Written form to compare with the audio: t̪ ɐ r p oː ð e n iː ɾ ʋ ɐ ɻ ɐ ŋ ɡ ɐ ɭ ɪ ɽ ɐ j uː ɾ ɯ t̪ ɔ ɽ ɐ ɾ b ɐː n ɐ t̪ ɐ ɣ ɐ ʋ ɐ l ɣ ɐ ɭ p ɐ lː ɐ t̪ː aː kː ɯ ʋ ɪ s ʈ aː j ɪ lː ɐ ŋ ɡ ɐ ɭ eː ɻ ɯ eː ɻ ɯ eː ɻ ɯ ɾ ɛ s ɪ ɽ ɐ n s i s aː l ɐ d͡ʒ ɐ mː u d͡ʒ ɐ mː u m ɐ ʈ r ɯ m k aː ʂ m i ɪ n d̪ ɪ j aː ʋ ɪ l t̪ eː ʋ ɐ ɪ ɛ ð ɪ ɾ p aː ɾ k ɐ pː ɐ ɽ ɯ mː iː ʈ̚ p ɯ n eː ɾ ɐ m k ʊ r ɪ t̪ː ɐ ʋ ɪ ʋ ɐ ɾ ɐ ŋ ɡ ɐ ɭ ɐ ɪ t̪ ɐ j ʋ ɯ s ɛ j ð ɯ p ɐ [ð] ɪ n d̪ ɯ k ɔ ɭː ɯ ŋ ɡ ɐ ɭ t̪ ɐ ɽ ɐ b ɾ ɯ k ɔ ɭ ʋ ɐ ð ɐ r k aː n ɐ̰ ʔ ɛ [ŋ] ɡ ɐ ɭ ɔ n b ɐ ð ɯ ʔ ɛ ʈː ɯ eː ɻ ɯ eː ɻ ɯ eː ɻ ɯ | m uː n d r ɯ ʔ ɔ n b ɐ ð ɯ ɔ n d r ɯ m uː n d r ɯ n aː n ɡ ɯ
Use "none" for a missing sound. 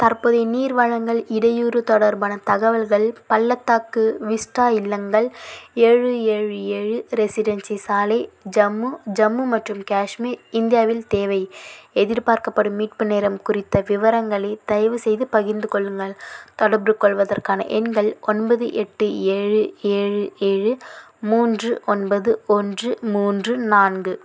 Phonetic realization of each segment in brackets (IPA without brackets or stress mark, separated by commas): ɣ, n